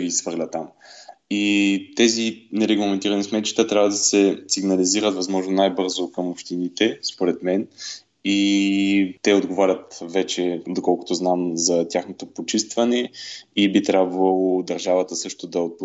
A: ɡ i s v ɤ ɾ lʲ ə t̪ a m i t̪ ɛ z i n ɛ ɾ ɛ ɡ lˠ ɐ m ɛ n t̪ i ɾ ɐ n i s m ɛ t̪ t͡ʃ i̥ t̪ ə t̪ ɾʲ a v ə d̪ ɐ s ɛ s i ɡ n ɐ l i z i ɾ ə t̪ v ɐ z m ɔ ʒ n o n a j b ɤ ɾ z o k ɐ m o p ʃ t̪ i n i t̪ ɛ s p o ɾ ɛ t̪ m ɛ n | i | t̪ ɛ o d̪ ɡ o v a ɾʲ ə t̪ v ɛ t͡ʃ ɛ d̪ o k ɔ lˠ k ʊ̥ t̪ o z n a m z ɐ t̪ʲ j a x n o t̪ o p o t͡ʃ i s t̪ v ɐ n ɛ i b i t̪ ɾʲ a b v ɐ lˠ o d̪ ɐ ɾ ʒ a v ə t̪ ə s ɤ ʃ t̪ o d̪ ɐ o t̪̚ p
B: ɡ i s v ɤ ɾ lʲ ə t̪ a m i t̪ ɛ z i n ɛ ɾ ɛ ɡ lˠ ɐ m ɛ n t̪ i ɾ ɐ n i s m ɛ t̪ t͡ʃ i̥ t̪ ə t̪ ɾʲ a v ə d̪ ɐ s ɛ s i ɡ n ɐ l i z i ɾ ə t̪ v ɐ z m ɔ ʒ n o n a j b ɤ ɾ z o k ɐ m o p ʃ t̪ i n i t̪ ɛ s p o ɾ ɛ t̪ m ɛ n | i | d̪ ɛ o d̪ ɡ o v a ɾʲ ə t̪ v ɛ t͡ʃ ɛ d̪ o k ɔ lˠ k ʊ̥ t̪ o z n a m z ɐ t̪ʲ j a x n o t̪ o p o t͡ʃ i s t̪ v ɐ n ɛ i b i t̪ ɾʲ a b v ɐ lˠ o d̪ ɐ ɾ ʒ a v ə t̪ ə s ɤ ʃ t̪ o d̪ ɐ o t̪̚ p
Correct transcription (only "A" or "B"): A